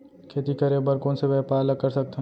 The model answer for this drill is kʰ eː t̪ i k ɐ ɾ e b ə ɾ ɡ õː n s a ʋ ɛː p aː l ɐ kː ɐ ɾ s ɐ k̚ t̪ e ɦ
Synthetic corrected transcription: kʰ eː t̪ i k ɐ ɾ e b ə ɾ k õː n s e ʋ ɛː p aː l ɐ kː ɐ ɾ s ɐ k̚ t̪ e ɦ